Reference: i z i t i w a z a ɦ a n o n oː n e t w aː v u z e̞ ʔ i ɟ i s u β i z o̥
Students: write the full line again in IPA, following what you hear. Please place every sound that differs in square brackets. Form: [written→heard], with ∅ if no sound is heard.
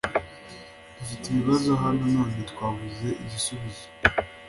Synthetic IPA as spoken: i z i t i [w→β] a z a ɦ a n o n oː n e t w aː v u z e̞ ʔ i ɟ i s u β i z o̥